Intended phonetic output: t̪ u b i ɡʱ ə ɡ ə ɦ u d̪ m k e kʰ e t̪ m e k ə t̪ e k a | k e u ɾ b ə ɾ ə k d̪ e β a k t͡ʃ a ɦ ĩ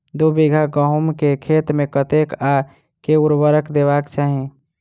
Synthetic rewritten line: d̪ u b i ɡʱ a ɡ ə ɦ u m k e kʰ e t̪ m e k ə t̪ e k a | k e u ɾ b ə ɾ ə k d̪ e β a k t͡ʃ a ɦ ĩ

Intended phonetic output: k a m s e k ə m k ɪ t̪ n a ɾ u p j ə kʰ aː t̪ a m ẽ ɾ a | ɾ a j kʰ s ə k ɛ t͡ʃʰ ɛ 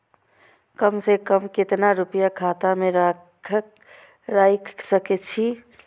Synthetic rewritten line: k ə m s e k ə m k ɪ t̪ n a ɾ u p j a kʰ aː t̪ a m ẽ ɾ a | ɾ a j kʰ s ə k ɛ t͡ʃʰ i

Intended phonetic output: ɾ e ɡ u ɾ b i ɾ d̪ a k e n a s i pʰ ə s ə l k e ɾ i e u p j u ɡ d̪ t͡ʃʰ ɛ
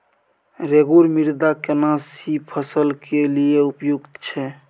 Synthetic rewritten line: ɾ e ɡ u ɾ m i ɾ d̪ a k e n a s i pʰ ə s ə l k e l i e u p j u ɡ t̪ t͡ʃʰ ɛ

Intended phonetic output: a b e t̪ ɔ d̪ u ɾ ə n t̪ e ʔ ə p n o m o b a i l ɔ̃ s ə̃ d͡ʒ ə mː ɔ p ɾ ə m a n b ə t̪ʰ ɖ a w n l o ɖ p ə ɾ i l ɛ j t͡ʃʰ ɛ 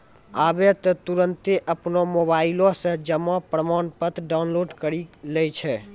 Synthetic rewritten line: a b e t̪ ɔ t̪ u ɾ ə n t̪ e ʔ ə p n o m o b a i l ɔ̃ s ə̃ d͡ʒ ə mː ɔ p ɾ ə m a n p ə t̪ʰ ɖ a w n l o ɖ k ə ɾ i l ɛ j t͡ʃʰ ɛ

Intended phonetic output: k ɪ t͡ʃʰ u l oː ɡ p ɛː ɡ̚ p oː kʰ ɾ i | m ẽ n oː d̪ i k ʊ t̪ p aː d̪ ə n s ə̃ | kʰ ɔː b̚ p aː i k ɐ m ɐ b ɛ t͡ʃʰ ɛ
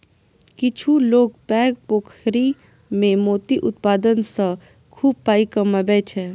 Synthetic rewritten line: k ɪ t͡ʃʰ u l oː ɡ p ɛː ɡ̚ p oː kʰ ɾ i | m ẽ m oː t̪ i ʔ ʊ t̪ p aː d̪ ə n s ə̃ | kʰ uː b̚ p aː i k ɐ m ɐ b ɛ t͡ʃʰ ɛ

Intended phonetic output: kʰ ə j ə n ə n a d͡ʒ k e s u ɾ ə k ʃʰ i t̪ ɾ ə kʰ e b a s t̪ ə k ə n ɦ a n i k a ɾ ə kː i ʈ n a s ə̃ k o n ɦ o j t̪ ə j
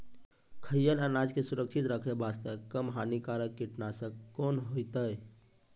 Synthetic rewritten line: kʰ ə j ə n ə n a d͡ʒ k e s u ɾ ə k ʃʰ i t̪ ɾ ə kʰ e b a s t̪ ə k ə m ɦ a n i k a ɾ ə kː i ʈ n a s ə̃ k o n ɦ o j t̪ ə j

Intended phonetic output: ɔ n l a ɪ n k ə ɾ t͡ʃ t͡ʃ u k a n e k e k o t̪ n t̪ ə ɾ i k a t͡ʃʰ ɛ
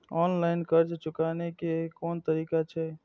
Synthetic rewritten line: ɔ n l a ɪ n k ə ɾ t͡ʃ t͡ʃ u k a n e k e k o n t̪ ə ɾ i k a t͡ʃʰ ɛ

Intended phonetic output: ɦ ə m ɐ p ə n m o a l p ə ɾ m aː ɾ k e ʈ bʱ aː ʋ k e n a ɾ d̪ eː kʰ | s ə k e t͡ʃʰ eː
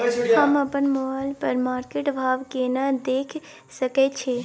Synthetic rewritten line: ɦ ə m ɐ p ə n m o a l p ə ɾ m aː ɾ k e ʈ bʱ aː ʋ k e n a d̪ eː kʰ | s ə k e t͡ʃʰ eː

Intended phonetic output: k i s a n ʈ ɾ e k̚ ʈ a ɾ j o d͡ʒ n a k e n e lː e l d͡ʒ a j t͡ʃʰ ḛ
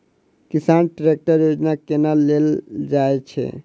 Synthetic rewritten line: k i s a n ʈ ɾ e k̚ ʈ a ɾ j o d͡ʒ n a k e n a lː e l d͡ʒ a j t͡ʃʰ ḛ

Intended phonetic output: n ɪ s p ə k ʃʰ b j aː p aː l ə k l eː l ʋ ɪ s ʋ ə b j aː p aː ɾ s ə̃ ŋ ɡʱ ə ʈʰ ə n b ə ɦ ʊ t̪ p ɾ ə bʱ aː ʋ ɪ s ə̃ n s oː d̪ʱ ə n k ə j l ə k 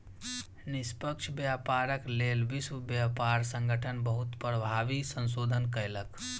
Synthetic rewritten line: n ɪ s p ə k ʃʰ b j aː p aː ɾ ə k l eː l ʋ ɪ s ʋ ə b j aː p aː ɾ s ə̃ ŋ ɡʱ ə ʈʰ ə n b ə ɦ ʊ t̪ p ɾ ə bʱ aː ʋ i s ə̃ n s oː d̪ʱ ə n k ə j l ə k

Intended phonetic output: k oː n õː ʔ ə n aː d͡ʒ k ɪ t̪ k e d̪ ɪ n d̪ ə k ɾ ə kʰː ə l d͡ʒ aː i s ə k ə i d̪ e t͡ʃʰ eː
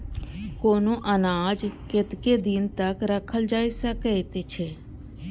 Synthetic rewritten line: k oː n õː ʔ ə n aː d͡ʒ k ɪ t̪ k e d̪ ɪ n t̪ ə k ɾ ə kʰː ə l d͡ʒ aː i s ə k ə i t̪ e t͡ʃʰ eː

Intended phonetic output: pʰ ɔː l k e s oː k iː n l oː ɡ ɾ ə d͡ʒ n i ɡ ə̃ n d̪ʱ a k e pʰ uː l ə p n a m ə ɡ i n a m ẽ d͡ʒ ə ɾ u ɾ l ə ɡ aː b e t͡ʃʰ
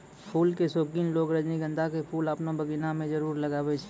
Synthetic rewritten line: pʰ uː l k e s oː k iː n l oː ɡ ɾ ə d͡ʒ n i ɡ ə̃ n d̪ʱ a k e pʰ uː l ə p n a b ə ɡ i n a m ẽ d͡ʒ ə ɾ uː ɾ l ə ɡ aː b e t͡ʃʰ

